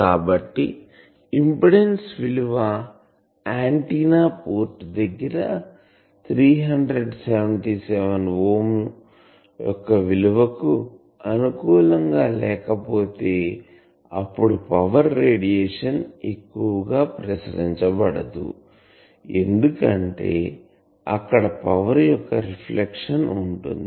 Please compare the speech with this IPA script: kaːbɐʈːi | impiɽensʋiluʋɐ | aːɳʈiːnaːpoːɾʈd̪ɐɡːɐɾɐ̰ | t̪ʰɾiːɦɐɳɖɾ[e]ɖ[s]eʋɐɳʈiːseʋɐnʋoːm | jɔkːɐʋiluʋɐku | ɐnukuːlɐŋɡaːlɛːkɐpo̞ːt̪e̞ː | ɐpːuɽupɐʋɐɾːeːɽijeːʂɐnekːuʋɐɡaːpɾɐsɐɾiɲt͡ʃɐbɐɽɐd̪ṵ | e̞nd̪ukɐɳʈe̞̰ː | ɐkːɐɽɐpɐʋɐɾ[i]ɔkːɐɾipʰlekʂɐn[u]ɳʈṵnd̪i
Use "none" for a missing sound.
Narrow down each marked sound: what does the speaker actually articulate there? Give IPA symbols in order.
e, s, j, u

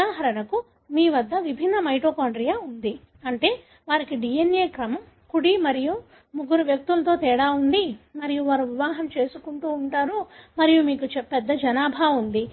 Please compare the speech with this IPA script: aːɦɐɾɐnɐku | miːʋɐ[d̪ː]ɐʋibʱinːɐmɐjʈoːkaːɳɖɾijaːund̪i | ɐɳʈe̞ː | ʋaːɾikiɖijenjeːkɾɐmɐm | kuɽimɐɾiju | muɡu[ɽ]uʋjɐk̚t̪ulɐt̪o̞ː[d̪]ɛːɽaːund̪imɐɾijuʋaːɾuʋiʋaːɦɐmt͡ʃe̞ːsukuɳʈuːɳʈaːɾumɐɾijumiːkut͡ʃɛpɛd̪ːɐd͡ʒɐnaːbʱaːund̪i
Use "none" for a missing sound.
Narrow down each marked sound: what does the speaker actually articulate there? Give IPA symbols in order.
d̪ː, ɾ, t̪

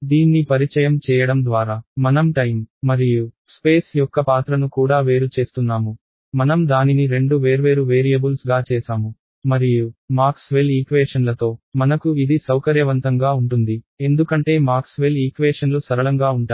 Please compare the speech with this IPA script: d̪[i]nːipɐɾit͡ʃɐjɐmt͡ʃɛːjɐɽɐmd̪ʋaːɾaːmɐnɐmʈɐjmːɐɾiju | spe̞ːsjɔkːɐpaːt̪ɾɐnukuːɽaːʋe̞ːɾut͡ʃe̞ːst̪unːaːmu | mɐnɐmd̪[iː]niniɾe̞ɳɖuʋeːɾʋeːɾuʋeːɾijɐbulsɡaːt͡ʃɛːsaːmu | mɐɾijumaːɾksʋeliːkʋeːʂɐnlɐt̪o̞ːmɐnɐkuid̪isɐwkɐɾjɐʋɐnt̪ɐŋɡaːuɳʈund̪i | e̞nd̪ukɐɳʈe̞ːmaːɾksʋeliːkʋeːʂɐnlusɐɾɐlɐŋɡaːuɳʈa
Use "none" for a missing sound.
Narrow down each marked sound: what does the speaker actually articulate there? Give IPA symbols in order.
iː, aː

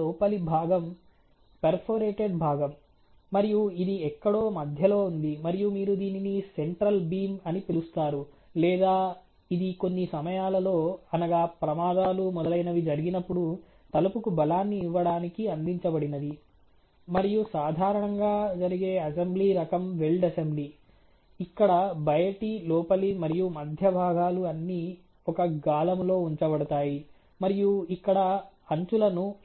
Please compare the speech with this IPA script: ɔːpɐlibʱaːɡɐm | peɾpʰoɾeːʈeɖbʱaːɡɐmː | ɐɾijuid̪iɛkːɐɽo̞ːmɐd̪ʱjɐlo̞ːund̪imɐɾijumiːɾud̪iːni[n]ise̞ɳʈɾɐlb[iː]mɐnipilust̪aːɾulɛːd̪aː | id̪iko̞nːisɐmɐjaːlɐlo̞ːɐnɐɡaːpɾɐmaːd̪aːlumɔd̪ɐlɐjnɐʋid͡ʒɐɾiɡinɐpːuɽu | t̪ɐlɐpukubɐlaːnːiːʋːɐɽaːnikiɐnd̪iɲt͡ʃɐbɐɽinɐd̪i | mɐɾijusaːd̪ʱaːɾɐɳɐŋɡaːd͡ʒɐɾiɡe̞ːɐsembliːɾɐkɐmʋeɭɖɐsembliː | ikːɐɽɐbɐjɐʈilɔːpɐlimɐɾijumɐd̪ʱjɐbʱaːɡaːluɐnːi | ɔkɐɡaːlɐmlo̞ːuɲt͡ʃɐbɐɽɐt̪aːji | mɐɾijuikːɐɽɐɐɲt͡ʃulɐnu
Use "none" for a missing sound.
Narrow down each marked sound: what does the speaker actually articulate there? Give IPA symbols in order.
n, iː

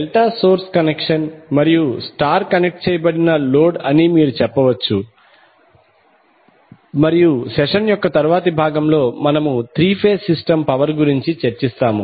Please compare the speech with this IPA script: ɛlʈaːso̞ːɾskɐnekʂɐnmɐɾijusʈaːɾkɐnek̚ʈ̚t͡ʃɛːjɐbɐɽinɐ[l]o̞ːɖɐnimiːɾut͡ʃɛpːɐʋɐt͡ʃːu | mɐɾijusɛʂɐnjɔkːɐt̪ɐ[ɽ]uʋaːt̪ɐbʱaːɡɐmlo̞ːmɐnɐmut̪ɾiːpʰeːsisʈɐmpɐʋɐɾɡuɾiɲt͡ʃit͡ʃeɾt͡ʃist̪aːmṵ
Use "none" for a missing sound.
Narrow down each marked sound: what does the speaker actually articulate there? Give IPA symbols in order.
l, ɾ

